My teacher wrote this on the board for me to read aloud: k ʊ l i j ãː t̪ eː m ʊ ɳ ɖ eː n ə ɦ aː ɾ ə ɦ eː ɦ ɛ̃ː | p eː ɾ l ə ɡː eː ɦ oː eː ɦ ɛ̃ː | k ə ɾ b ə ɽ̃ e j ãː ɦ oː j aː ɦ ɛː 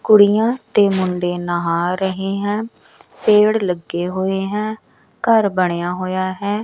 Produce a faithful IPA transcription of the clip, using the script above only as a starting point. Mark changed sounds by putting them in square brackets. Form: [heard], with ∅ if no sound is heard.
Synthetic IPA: k ʊ [ɽ] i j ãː t̪ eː m ʊ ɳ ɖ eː n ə ɦ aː ɾ ə ɦ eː ɦ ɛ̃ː | p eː [ɽ] l ə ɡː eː ɦ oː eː ɦ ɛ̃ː | k ə ɾ b ə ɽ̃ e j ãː ɦ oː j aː ɦ ɛː